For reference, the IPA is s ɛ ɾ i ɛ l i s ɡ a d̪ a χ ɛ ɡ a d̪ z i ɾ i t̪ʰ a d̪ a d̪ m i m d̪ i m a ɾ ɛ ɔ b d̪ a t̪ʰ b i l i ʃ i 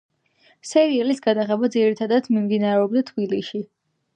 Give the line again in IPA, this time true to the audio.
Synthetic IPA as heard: s ɛ ɾ i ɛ l i s ɡ a d̪ a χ ɛ b a d̪ z i ɾ i t̪ʰ a d̪ a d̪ m i m d̪ i n a ɾ ɛ ɔ b d̪ a t̪ʰ b i l i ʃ i